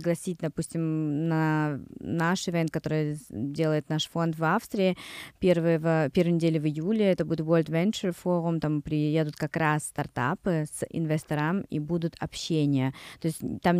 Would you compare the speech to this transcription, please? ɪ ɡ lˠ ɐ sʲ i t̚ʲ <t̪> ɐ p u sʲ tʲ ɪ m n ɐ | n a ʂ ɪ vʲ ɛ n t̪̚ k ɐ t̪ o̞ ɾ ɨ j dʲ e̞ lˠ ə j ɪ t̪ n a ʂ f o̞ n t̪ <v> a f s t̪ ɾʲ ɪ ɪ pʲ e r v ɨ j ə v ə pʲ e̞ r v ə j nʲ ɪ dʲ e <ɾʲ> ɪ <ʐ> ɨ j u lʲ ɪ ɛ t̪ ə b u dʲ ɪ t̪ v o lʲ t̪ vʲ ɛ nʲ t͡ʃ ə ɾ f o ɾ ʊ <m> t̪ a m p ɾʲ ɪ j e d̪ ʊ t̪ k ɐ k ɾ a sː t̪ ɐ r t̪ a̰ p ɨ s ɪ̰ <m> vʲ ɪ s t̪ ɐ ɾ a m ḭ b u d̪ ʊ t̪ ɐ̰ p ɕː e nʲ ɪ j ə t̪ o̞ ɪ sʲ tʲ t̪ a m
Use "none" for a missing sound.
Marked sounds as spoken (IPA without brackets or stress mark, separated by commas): d̪, v, lʲ, v, m, n